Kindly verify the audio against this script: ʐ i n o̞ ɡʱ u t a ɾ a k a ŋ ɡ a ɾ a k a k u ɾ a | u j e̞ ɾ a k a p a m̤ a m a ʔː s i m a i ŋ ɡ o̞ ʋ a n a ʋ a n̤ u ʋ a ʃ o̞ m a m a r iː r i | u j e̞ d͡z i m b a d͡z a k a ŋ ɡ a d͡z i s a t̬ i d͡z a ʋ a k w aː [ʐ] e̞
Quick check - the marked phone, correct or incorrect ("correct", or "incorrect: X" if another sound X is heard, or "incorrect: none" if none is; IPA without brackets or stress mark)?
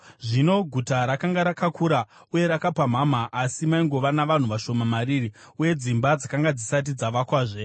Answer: correct